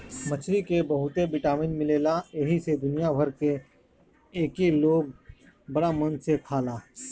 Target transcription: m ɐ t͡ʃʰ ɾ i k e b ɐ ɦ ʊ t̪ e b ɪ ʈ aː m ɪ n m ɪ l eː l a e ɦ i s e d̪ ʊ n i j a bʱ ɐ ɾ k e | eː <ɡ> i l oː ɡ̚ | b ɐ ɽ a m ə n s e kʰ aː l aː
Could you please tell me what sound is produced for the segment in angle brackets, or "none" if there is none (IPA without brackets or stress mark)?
k